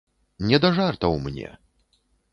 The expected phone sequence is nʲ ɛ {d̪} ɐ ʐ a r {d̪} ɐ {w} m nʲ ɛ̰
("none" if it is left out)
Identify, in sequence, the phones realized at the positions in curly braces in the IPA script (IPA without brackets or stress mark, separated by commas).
d̪, t̪, w